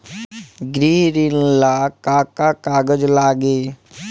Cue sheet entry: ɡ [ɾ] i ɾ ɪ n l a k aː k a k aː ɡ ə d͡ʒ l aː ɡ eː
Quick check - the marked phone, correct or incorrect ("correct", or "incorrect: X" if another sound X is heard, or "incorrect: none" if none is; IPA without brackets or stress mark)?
correct